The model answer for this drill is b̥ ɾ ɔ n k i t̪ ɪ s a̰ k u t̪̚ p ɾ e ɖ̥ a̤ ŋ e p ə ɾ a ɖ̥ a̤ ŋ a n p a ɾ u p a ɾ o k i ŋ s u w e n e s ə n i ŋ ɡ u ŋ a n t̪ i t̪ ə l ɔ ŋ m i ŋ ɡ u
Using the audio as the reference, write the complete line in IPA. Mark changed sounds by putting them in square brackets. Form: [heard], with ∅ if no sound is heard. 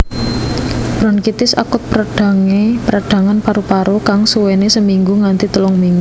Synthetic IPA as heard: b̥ ɾ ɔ n k i t̪ ɪ s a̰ k [ʊ] t̪̚ p ɾ [a] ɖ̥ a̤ ŋ e p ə ɾ a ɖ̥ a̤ ŋ a n p a ɾ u p a ɾ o k [a] ŋ s u w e n e s ə [m] i ŋ ɡ u ŋ a n t̪ i t̪ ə l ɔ ŋ m i ŋ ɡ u